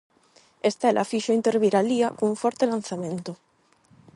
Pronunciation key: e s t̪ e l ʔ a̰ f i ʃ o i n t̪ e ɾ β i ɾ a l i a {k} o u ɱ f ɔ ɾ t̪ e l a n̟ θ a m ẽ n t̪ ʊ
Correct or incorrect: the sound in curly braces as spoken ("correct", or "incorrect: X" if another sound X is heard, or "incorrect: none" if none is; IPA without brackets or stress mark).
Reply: correct